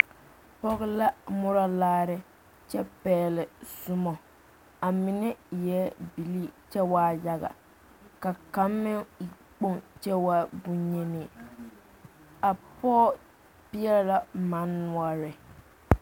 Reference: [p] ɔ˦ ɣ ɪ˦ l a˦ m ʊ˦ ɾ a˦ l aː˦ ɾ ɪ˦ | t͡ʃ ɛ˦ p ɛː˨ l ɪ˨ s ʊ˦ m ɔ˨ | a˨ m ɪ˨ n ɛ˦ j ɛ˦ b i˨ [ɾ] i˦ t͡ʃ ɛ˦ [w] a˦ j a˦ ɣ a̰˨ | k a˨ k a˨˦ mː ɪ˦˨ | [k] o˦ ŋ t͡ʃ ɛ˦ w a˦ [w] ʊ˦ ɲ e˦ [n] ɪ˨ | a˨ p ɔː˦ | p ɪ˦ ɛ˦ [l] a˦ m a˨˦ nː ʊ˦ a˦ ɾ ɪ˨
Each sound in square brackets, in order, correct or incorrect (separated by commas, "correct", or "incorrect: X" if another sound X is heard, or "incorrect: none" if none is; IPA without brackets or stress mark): correct, incorrect: l, correct, incorrect: k͡p, incorrect: b, correct, correct